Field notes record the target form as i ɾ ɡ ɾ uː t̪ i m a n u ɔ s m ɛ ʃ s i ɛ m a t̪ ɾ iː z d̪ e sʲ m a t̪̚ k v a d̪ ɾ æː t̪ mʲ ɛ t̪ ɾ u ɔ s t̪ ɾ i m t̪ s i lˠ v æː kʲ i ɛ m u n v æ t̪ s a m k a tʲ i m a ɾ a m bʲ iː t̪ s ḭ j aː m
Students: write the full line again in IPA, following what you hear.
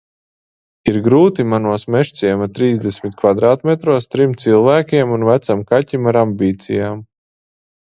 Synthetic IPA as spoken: i ɾ ɡ ɾ uː t̪ i m a n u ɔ s m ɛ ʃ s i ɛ m a t̪ ɾ iː z d̪ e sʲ m i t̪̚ k v a d̪ ɾ aː t̪ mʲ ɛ t̪ ɾ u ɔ s t̪ ɾ i m t̪ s i lˠ v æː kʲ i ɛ m u n v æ t̪ s a m k a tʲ i m a ɾ a m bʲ iː t̪ s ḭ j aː m